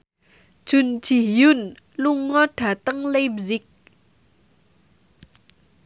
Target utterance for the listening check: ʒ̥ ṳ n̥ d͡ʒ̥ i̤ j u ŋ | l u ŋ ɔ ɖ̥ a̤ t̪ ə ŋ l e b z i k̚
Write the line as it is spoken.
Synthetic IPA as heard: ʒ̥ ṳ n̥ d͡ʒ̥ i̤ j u n | l u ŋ ɔ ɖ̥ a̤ t̪ ə ŋ l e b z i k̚